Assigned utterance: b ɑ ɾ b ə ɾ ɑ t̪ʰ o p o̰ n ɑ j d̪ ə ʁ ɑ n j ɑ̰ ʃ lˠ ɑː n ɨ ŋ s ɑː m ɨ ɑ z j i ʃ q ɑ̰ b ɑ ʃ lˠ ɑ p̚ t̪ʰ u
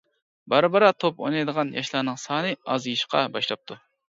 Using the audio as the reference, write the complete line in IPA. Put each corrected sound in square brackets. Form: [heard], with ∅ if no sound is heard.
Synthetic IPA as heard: b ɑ ɾ b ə ɾ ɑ t̪ʰ o p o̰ n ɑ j d̪ ə ʁ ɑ n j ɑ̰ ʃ lˠ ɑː n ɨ ŋ s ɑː [n] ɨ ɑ z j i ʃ q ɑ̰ b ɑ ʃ lˠ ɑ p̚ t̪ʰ u